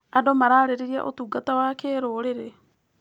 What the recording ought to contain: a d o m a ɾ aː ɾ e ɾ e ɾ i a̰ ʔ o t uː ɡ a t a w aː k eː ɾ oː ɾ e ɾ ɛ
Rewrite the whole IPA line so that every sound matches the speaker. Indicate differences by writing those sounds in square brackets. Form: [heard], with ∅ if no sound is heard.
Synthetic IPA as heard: a d o m a ɾ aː ɾ e ɾ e ɾ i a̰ ʔ o t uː ɡ a t a w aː k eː ɾ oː ɾ e ɾ [e]